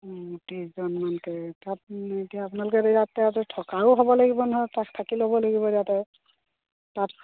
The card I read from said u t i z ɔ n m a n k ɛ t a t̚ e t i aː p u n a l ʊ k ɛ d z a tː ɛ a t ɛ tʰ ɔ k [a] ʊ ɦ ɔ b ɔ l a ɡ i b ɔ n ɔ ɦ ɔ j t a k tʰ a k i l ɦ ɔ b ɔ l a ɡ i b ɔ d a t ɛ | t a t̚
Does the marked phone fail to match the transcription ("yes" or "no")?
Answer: no